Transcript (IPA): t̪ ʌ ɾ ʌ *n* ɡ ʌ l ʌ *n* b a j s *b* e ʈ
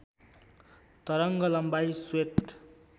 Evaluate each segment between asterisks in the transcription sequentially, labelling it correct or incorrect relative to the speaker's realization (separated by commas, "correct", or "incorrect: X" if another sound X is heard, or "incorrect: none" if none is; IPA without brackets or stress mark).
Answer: incorrect: ŋ, incorrect: m, incorrect: w